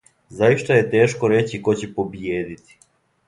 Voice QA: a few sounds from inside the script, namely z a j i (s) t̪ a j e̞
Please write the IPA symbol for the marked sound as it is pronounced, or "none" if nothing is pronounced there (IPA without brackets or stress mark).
ʃ